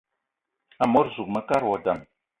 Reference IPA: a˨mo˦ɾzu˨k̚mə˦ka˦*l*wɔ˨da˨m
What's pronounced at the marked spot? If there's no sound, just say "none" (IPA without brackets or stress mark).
ɾ